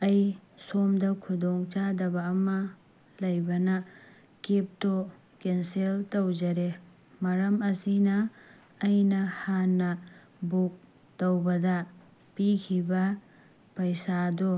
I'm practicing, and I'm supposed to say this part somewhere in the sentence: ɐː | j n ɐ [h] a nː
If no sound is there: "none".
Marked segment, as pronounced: h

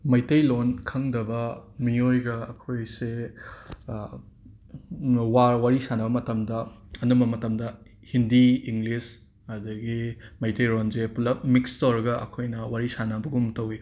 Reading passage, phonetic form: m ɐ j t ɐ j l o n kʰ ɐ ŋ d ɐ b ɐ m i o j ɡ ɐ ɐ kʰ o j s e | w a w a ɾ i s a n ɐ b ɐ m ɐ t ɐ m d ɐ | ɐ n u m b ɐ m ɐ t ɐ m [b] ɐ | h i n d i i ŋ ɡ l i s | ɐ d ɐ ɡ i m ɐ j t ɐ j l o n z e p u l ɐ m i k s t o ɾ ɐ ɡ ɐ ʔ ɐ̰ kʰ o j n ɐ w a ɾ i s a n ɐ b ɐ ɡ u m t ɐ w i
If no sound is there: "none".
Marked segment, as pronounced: d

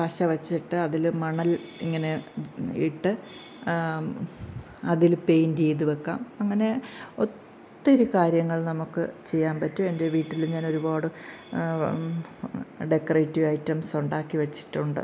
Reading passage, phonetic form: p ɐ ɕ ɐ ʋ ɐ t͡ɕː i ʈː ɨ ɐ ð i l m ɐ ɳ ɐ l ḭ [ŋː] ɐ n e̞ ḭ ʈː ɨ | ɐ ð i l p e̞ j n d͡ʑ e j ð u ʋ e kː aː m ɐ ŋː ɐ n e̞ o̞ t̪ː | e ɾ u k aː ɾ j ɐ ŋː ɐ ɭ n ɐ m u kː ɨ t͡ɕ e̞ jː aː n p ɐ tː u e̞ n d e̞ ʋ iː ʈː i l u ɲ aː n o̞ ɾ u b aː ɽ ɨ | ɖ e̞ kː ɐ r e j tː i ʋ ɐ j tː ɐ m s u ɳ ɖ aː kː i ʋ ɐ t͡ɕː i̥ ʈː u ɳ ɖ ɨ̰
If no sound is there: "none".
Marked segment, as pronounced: ŋː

